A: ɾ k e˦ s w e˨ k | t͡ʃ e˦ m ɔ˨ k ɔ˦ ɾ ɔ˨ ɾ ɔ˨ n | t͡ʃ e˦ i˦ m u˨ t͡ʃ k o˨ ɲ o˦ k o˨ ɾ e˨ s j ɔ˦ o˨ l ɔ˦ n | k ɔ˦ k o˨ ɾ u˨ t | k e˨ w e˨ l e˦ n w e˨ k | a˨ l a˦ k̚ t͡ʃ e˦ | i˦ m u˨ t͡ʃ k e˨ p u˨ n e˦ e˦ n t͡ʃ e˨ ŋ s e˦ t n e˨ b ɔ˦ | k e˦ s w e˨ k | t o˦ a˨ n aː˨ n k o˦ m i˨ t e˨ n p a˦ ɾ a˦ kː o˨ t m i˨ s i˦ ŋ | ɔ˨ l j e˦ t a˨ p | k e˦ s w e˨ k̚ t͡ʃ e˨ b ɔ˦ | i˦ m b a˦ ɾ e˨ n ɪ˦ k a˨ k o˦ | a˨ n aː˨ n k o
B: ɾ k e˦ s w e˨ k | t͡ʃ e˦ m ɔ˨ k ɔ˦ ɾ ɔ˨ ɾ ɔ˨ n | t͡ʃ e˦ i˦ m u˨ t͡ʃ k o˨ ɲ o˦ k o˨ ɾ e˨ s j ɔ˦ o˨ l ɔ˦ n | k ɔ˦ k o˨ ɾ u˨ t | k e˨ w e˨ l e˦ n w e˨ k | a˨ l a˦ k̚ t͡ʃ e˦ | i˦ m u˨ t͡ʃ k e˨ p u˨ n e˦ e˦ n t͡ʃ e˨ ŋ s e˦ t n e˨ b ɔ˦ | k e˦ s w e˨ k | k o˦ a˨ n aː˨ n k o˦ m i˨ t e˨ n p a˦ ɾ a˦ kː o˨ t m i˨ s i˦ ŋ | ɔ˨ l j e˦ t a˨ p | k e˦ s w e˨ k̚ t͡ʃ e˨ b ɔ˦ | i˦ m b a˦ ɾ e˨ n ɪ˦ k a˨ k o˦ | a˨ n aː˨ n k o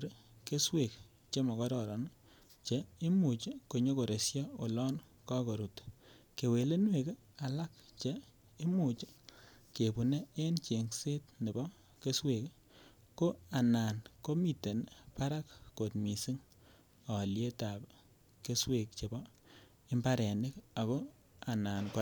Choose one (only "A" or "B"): B